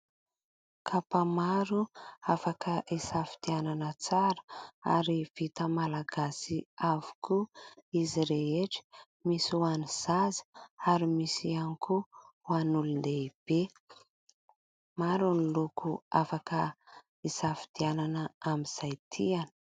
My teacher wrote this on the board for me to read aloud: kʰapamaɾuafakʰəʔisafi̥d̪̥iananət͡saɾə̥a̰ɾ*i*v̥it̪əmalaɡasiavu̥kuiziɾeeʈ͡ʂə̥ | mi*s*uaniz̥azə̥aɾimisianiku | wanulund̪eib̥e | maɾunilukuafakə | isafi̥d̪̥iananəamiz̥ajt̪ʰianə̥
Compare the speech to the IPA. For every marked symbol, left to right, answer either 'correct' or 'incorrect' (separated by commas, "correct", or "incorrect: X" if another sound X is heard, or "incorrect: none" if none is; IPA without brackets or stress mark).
correct, correct